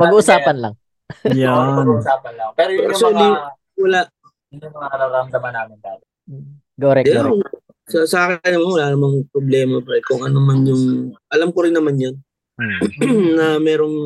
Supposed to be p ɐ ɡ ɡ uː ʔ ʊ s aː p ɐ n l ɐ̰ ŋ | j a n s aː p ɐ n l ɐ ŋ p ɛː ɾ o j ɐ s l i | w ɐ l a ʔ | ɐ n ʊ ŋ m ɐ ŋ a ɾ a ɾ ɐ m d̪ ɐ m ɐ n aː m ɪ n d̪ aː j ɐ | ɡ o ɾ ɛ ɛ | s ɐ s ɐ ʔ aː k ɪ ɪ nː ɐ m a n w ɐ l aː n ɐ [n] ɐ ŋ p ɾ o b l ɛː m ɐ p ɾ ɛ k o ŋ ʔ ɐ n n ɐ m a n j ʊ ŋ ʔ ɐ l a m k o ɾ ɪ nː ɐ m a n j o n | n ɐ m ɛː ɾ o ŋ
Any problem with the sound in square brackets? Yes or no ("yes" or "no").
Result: yes